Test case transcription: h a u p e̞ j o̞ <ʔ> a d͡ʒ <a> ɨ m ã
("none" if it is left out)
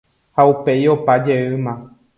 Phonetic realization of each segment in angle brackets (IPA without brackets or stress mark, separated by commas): p, e